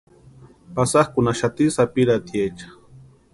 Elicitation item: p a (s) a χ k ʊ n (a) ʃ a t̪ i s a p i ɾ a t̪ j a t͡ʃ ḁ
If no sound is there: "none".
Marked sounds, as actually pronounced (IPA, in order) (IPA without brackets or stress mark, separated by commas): s, a